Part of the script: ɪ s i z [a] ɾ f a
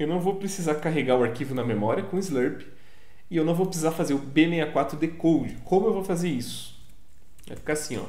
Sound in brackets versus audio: correct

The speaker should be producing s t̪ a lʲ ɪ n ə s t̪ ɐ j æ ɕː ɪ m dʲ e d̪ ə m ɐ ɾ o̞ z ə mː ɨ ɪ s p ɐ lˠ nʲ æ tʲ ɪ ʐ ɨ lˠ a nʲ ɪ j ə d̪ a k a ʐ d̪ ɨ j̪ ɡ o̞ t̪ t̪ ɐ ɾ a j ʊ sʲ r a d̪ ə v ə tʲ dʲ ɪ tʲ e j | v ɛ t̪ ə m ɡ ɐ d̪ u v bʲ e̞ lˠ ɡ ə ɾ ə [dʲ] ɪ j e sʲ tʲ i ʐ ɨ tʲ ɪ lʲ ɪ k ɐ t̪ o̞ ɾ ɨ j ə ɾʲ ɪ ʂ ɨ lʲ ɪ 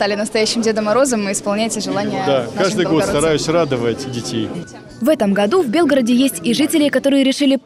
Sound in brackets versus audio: correct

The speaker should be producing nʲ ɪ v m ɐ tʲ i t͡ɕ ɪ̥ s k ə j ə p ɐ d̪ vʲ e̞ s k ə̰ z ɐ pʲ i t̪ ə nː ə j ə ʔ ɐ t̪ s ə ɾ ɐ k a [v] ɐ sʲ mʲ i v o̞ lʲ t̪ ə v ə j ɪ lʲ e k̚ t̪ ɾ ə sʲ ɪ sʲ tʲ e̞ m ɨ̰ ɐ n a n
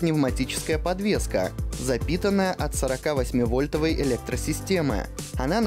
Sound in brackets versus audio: correct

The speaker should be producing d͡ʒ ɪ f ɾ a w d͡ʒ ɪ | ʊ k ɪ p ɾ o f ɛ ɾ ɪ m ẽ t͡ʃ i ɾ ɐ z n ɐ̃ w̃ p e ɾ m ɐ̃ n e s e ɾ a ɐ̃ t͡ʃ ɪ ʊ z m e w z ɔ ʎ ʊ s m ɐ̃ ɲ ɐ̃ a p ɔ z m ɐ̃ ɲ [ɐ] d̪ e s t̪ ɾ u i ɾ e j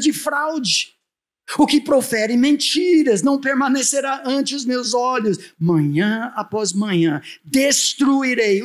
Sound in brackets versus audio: incorrect: ɐ̃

